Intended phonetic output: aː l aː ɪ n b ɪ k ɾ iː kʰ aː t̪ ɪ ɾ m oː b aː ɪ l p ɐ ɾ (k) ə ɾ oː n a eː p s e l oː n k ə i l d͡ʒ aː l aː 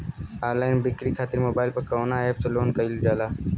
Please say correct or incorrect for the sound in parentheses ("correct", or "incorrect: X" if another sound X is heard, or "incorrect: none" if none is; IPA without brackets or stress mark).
correct